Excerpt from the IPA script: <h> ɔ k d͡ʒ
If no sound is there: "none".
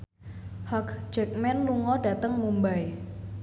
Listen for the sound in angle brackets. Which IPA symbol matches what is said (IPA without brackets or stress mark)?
h